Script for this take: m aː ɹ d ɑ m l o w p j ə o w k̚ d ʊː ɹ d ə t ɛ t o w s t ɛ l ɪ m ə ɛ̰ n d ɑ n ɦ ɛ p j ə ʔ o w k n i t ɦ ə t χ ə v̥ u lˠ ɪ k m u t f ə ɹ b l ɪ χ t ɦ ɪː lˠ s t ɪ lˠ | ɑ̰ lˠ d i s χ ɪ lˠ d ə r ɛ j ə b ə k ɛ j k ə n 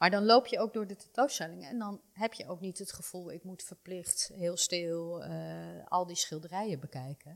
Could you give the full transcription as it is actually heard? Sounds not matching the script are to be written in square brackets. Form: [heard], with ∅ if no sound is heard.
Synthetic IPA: m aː ɹ d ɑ [n] l o w p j ə o w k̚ d ʊː ɹ d ə t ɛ t o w s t ɛ l ɪ [ŋ] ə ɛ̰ n d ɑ n ɦ ɛ p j ə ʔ o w k n i t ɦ ə t χ ə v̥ u lˠ ɪ k m u t f ə ɹ [p] l ɪ χ t ɦ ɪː lˠ s t ɪ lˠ | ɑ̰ lˠ d i s χ ɪ lˠ d ə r ɛ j ə b ə k ɛ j k ə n